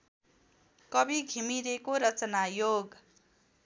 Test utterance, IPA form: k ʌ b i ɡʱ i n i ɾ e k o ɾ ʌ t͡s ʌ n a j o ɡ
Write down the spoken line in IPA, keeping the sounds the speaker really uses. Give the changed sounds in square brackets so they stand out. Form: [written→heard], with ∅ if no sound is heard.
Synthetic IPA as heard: k ʌ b i ɡʱ i [n→m] i ɾ e k o ɾ ʌ t͡s ʌ n a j o ɡ